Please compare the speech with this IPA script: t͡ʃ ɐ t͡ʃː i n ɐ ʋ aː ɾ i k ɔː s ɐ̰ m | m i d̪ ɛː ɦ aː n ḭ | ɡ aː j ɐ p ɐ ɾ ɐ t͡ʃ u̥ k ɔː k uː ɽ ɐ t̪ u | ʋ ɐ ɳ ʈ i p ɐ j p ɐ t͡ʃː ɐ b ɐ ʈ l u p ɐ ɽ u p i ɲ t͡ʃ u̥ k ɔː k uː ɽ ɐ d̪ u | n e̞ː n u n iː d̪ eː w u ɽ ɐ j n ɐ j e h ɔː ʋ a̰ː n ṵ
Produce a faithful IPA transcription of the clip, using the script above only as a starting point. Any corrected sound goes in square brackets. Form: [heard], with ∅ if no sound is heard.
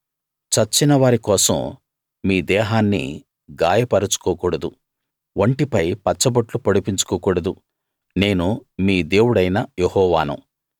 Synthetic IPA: t͡ʃ ɐ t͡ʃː i n ɐ ʋ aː ɾ i k ɔː s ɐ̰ m | m [iː] d̪ ɛː ɦ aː [nː] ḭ | ɡ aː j ɐ p ɐ ɾ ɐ t͡ʃ u̥ k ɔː k uː ɽ ɐ [d̪] u | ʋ ɐ ɳ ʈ i p ɐ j p ɐ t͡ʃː ɐ b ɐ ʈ l u p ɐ ɽ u p i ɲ t͡ʃ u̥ k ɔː k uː ɽ ɐ d̪ u | n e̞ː n u [m] iː d̪ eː w u ɽ ɐ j n ɐ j e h ɔː ʋ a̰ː n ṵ

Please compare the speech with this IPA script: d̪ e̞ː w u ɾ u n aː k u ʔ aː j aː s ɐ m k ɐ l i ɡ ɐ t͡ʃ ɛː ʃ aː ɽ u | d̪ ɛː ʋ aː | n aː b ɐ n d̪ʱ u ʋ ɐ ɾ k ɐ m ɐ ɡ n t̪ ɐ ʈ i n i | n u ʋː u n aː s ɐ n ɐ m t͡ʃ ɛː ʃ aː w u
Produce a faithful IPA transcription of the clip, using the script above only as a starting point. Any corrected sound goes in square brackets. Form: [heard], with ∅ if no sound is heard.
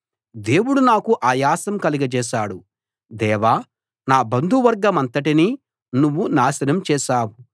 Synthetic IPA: d̪ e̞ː w u [ɽ] u n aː k u ʔ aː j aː s ɐ m k ɐ l i ɡ ɐ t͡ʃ ɛː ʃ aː ɽ u | d̪ ɛː ʋ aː | n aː b ɐ n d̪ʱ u ʋ ɐ ɾ [ɡ] ɐ m ɐ [∅] n t̪ ɐ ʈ i n i | n u ʋː u n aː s ɐ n ɐ m t͡ʃ ɛː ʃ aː w u

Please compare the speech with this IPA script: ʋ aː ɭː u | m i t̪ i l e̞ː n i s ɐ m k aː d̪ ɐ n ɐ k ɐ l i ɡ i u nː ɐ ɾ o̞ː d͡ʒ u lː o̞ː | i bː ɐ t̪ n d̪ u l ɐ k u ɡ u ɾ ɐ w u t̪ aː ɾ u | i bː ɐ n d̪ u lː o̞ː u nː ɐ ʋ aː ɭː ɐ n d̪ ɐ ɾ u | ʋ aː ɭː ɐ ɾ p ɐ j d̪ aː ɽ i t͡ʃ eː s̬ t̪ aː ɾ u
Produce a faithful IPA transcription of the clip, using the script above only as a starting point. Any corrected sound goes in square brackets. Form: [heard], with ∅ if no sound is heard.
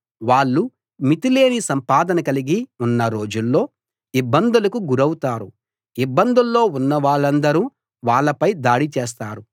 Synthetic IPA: ʋ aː ɭː u | m i t̪ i l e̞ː n i s ɐ m [p] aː d̪ ɐ n ɐ k ɐ l i ɡ i u nː ɐ ɾ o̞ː d͡ʒ u lː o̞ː | i bː ɐ [∅] n d̪ u l ɐ k u ɡ u ɾ ɐ w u t̪ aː ɾ u | i bː ɐ n d̪ u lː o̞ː u nː ɐ ʋ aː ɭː ɐ n d̪ ɐ ɾ u | ʋ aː ɭː ɐ [∅] p ɐ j d̪ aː ɽ i t͡ʃ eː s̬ t̪ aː ɾ u

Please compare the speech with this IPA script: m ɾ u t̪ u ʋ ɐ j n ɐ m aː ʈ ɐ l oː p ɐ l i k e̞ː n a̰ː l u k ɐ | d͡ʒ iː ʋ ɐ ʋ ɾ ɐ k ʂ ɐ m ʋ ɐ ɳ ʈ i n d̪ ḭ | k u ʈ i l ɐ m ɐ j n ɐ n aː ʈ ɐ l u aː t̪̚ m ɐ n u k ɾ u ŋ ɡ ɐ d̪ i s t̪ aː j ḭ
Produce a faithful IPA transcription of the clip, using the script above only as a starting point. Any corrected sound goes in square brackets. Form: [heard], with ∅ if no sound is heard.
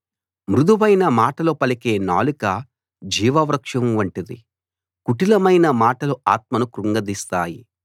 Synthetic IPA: m ɾ u [d̪] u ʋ ɐ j n ɐ m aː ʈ ɐ l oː p ɐ l i k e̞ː n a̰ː l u k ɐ | d͡ʒ iː ʋ ɐ ʋ ɾ ɐ k ʂ ɐ m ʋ ɐ ɳ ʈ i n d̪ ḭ | k u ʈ i l ɐ m ɐ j n ɐ [m] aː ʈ ɐ l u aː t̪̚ m ɐ n u k ɾ u ŋ ɡ ɐ d̪ i s t̪ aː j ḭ

